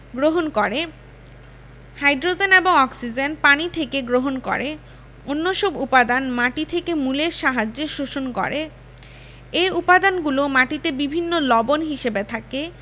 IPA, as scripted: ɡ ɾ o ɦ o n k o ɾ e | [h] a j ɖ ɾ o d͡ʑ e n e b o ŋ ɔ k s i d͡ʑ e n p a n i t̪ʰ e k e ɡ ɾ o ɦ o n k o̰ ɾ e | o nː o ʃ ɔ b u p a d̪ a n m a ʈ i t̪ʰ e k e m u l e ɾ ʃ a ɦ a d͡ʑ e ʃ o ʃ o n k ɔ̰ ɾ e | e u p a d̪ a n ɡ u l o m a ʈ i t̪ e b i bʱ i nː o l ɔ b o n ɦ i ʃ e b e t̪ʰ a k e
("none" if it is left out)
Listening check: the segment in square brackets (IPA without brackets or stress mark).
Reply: h